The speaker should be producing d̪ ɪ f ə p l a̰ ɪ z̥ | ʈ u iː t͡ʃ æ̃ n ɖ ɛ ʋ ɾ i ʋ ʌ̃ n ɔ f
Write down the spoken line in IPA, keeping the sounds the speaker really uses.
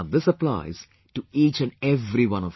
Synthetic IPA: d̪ ɪ s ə p l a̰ ɪ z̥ | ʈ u iː t͡ʃ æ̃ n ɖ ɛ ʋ ɾ i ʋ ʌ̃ n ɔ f